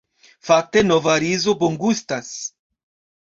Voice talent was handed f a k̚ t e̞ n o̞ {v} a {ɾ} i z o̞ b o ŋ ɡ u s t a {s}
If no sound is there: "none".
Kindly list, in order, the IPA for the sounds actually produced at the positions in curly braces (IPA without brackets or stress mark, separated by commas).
v, ɾ, s